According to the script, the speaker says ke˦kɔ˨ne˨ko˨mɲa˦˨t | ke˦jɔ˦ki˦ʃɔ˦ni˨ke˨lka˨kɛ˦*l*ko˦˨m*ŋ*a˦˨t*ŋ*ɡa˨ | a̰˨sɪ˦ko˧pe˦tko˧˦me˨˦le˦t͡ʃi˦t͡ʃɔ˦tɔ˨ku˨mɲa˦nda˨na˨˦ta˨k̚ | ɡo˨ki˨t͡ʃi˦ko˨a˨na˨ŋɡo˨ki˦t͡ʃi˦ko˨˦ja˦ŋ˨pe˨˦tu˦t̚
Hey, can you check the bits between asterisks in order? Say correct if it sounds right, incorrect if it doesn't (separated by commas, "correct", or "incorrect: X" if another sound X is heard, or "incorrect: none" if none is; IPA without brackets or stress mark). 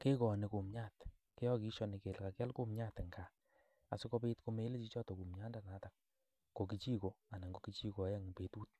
correct, incorrect: ɲ, correct